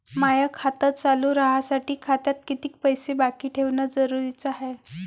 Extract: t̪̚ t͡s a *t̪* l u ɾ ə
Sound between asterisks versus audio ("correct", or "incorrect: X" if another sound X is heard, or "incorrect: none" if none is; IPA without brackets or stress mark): incorrect: none